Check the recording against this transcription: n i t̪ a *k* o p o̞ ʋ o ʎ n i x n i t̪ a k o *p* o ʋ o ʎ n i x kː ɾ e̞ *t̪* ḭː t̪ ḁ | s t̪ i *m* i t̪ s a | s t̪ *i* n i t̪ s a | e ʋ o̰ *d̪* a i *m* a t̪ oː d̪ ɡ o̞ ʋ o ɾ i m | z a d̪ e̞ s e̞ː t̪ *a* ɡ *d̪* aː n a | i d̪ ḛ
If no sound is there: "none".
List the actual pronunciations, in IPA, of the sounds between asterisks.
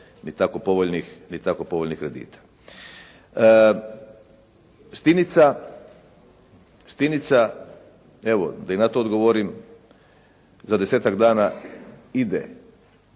k, p, d̪, n, i, d̪, n, a, d̪

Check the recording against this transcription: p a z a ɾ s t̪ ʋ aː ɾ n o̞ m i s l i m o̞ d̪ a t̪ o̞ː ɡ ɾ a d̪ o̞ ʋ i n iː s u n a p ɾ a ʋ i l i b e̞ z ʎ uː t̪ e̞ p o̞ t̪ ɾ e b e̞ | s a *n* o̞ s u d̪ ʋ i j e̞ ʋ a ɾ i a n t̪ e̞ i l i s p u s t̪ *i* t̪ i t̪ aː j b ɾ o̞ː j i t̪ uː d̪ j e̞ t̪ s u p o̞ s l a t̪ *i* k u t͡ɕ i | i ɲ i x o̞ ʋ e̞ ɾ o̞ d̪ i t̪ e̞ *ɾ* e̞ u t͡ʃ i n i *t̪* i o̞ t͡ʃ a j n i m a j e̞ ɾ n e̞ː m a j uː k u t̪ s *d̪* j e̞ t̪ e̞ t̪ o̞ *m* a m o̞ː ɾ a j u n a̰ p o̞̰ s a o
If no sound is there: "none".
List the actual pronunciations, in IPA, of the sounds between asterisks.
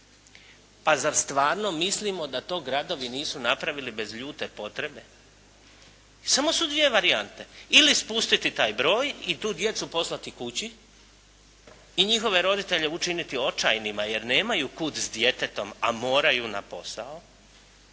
m, i, i, ʎ, t̪, d̪, m

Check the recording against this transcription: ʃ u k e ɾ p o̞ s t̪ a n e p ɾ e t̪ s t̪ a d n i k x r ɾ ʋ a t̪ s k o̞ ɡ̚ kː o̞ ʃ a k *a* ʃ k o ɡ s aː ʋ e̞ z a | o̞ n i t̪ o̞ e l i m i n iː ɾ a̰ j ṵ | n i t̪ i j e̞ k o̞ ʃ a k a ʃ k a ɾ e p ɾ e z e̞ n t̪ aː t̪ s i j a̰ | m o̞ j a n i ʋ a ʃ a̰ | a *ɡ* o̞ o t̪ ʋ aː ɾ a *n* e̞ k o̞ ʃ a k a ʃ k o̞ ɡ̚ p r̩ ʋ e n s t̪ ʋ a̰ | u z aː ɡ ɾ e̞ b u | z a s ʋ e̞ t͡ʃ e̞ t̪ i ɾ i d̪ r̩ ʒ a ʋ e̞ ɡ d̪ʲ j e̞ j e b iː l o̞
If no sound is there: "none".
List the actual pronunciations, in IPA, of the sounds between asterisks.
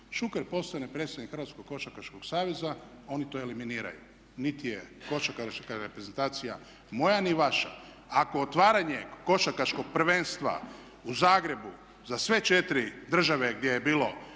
a, k, ɲ

